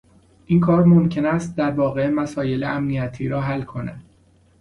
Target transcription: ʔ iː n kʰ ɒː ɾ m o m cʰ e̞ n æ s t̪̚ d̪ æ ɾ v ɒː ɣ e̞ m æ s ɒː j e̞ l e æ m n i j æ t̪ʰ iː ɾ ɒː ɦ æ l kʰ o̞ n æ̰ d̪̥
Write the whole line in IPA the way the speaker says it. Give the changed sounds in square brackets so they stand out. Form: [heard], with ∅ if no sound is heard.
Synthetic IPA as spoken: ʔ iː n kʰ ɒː ɾ m o m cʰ e̞ n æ s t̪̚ d̪ æ ɾ v ɒː ɣ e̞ m æ s ɒː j e̞ l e æ m n i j æ t̪ʰ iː ɾ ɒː ɦ æ l kʰ o̞ n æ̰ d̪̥